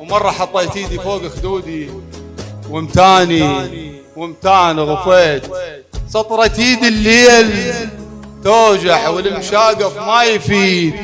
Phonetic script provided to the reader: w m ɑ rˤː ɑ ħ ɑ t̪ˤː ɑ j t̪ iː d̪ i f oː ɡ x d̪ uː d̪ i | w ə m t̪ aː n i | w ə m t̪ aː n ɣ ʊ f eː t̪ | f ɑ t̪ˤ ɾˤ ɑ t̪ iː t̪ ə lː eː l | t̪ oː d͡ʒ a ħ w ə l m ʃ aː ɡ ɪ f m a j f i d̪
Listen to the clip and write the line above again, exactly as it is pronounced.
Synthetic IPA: w m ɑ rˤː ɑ ħ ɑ t̪ˤː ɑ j t̪ iː d̪ i f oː ɡ x d̪ uː d̪ i | w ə m t̪ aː n i | w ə m t̪ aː n ɣ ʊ f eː t̪ | s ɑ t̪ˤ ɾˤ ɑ t̪ iː d̪ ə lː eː l | t̪ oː d͡ʒ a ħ w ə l m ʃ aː ɡ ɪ f m a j f iː d̪